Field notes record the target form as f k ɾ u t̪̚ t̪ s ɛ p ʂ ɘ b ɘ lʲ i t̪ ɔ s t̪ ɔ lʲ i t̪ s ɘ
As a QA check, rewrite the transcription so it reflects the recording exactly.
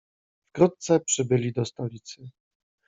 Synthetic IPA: f k ɾ u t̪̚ t̪ s ɛ p ʂ ɘ b ɘ lʲ i d̪ ɔ s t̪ ɔ lʲ i t̪ s ɘ